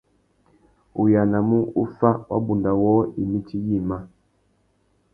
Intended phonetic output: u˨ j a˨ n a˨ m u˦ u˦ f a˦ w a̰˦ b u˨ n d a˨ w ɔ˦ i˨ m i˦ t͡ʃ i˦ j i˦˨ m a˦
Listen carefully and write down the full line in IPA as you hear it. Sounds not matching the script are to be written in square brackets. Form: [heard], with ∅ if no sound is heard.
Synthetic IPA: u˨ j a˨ n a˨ m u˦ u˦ f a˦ w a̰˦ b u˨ n d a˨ w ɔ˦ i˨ m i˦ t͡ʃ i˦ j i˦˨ m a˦